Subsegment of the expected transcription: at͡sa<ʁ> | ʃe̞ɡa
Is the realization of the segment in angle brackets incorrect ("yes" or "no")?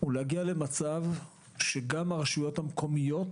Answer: yes